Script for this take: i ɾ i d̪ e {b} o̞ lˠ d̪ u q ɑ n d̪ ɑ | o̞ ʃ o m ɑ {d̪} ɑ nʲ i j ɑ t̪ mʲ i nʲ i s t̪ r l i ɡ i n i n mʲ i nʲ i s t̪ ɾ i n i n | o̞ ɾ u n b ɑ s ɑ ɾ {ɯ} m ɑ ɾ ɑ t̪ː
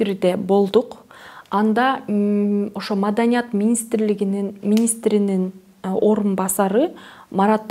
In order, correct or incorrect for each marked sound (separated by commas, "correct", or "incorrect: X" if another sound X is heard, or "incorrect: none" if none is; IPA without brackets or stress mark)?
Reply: correct, correct, correct